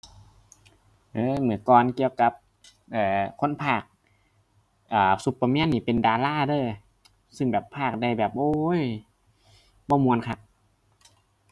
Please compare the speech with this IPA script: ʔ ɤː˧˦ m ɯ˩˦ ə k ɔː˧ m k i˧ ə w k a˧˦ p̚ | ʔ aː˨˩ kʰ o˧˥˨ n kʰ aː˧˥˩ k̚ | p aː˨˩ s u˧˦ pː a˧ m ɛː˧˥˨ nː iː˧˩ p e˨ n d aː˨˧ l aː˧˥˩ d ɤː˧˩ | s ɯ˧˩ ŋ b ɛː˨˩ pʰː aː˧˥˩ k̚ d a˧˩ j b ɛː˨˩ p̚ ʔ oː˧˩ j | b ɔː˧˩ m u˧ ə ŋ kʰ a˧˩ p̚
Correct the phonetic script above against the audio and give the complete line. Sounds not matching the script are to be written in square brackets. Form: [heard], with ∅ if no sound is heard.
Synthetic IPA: ʔ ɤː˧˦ m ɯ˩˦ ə k ɔː˧ [n] k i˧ ə w k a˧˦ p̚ | ʔ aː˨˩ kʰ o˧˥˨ n [pʰ] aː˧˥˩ k̚ | [ʔ] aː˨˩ s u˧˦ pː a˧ m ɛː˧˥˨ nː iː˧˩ p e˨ n d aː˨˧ l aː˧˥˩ d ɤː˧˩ | s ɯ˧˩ ŋ b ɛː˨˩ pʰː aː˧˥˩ k̚ d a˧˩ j b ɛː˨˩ p̚ ʔ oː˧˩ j | b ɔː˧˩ m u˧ ə [n] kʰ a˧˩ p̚